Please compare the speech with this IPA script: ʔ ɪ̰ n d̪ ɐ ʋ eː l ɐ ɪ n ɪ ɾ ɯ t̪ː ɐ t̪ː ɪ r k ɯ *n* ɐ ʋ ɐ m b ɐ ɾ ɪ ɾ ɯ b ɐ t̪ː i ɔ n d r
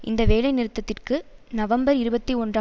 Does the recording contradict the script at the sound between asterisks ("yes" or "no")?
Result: no